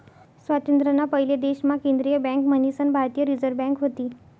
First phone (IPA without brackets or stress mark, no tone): s